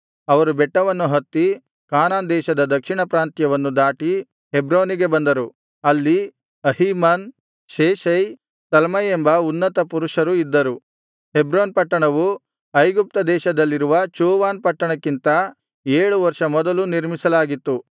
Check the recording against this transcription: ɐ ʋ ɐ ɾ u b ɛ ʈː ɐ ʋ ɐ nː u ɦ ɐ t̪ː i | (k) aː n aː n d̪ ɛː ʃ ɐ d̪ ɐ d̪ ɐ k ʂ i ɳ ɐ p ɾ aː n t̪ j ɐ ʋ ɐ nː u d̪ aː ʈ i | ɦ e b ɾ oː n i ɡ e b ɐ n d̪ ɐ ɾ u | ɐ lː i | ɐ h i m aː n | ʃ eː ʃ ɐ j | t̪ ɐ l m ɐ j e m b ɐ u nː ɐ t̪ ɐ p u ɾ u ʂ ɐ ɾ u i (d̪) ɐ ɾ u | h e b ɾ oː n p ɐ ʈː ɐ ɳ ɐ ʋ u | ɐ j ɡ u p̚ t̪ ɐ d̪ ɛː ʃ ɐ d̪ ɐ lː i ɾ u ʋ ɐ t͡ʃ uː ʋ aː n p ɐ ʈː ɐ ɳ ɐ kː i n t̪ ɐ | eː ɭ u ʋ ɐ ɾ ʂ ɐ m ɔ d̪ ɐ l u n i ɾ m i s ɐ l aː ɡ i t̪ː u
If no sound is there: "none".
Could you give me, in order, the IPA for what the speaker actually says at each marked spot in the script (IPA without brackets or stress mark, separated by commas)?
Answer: k, d̪ː